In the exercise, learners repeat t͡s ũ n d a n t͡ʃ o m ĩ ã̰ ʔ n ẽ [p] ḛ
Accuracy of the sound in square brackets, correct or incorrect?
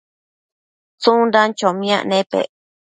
correct